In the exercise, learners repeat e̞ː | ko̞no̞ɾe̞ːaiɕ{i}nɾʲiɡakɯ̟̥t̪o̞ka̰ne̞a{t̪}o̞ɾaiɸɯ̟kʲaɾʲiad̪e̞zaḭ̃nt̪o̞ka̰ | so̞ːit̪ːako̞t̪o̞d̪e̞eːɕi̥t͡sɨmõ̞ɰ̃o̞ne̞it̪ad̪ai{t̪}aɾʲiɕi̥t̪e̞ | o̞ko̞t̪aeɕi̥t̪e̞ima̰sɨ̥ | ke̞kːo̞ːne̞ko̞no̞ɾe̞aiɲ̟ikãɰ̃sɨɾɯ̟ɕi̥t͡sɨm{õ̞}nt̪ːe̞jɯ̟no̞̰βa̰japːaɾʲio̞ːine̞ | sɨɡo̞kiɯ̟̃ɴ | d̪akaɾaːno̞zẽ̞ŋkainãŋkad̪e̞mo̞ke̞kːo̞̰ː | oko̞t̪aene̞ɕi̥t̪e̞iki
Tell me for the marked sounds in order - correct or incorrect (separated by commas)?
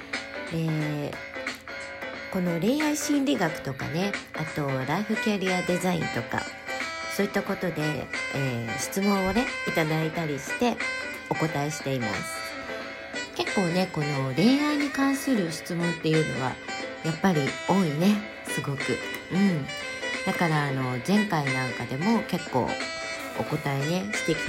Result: incorrect, correct, correct, correct